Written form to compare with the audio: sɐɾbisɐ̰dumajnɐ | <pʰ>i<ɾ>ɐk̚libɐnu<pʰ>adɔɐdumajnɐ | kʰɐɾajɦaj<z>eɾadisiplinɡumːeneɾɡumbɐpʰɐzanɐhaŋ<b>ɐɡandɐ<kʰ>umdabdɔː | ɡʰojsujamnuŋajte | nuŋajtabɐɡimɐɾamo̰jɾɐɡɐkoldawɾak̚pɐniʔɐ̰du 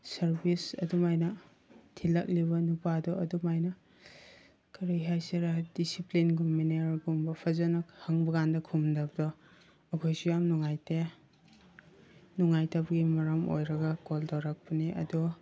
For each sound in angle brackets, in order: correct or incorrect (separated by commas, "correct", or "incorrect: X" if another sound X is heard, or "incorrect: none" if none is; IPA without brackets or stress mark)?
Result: incorrect: tʰ, incorrect: l, incorrect: p, incorrect: s, correct, correct